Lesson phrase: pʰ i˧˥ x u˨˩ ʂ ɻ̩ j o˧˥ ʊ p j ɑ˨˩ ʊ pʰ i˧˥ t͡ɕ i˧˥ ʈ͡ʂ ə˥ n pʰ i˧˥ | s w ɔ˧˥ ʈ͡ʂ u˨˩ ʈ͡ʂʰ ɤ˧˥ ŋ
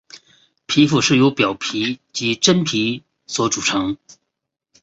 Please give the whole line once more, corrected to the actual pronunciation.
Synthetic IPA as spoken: pʰ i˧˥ f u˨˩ ʂ ɻ̩ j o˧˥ ʊ p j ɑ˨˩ ʊ pʰ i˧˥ t͡ɕ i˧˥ ʈ͡ʂ ə˥ n pʰ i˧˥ | s w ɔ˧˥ ʈ͡ʂ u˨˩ ʈ͡ʂʰ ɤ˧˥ ŋ